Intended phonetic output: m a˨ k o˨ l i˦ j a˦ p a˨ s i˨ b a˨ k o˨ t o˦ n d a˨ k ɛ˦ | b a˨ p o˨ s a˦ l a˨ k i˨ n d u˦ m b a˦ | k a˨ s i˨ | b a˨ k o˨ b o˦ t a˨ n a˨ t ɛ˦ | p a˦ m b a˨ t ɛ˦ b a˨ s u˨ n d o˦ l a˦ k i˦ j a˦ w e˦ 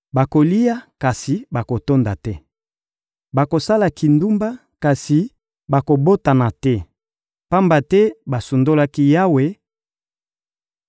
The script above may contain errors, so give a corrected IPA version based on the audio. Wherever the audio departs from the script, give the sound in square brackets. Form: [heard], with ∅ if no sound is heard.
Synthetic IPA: [b] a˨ k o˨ l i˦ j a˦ [k] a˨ s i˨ b a˨ k o˨ t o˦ n d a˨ [t] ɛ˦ | b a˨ [k] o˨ s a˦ l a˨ k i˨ n d u˦ m b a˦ | k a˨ s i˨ | b a˨ k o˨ b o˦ t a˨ n a˨ t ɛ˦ | p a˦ m b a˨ t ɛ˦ b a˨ s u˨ n d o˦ l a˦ k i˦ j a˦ w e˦